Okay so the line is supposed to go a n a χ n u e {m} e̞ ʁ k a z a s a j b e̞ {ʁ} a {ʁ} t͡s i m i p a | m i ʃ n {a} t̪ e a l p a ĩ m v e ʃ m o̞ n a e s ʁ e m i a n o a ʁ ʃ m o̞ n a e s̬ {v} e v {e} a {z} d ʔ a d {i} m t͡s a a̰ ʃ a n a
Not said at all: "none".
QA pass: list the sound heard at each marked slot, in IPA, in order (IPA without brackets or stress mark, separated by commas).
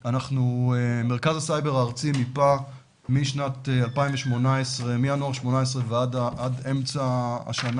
m, ʁ, ʁ, a, ʁ, e, none, e